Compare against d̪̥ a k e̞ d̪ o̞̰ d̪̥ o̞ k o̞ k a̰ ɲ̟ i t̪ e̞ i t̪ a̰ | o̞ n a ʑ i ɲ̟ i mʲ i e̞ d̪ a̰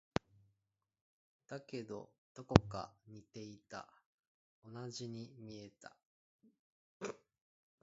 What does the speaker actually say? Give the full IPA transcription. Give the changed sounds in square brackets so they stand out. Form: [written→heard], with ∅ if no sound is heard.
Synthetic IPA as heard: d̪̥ a k e̞ d̪ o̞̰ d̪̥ o̞ k o̞ k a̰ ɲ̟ i t̪ e̞ i t̪ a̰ | o̞ n a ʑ i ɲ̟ i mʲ i e̞ [d̪→t̪] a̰

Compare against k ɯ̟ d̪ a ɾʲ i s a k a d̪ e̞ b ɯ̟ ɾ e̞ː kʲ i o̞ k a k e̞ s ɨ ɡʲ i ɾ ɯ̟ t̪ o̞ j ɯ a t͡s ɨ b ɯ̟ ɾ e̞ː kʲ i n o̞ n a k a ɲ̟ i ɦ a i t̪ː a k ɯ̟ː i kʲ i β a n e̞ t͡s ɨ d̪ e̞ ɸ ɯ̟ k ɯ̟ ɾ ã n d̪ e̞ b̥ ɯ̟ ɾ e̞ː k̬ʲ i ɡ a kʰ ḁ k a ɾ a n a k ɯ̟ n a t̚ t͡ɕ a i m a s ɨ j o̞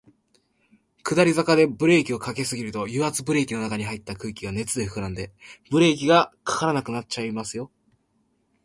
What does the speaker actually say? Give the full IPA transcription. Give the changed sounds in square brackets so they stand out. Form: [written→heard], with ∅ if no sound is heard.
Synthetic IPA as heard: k ɯ̟ d̪ a ɾʲ i [s→z] a k a d̪ e̞ b ɯ̟ ɾ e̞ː kʲ i o̞ k a k e̞ s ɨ ɡʲ i ɾ ɯ̟ t̪ o̞ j ɯ a t͡s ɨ b ɯ̟ ɾ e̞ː kʲ i n o̞ n a k a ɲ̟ i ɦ a i t̪ː a k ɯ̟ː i kʲ i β a n e̞ t͡s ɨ d̪ e̞ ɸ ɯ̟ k ɯ̟ ɾ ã n d̪ e̞ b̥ ɯ̟ ɾ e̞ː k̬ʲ i ɡ a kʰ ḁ k a ɾ a n a k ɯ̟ n a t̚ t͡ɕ a i m a s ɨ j o̞

